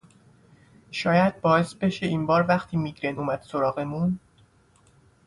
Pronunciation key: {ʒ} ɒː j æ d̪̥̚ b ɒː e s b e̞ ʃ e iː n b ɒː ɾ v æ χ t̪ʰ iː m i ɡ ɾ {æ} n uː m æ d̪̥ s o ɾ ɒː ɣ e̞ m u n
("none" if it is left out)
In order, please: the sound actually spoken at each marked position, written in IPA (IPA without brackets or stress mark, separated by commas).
ʃ, e